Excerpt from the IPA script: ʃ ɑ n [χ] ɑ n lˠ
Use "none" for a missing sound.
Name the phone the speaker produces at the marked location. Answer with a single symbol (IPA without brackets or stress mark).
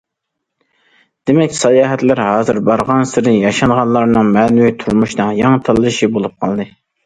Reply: ʁ